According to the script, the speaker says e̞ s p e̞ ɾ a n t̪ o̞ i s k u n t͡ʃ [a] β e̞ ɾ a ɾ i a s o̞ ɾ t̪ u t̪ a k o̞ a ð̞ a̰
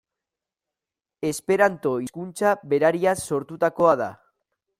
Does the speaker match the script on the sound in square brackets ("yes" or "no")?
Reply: yes